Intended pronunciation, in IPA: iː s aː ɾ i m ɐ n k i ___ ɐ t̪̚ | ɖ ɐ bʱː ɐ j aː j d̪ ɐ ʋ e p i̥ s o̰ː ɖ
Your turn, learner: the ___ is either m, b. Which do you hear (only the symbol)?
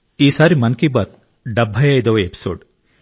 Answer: b